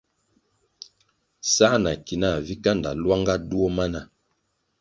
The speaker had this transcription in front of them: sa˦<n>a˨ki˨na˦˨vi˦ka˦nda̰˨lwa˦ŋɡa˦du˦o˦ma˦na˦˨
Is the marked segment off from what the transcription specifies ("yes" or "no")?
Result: no